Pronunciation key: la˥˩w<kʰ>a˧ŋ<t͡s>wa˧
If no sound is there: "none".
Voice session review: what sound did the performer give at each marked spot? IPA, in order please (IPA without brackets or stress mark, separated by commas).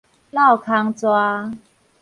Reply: kʰ, t͡s